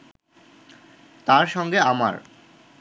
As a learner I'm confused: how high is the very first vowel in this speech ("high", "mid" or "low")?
low